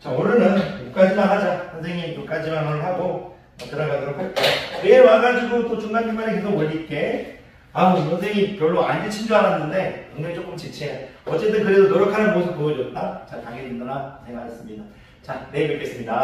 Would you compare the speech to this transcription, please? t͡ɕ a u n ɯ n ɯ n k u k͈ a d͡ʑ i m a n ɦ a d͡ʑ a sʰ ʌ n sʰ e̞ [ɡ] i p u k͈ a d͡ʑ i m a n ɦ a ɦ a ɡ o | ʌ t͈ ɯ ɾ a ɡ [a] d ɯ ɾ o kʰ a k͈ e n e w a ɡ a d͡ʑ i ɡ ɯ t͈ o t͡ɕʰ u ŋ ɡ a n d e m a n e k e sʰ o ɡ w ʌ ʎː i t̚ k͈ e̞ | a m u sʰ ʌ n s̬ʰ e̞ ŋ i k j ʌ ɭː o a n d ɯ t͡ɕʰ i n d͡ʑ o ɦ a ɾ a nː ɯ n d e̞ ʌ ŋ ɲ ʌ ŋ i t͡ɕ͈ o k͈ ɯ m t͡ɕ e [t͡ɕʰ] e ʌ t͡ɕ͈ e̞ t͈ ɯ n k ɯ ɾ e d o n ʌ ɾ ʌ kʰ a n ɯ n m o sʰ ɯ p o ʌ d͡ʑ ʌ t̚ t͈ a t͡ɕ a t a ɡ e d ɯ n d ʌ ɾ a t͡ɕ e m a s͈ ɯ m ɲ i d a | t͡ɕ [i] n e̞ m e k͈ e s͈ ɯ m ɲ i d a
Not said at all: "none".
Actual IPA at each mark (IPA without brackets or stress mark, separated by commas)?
ŋ, a, t͡ɕʰ, a